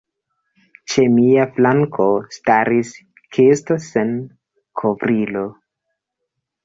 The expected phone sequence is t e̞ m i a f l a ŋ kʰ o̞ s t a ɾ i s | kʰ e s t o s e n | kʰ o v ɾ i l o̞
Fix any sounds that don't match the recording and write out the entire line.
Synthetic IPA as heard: t͡ʃ e̞ m i a f l a ŋ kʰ o̞ s t a ɾ i s | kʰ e s t o s e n | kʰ o v ɾ i l o̞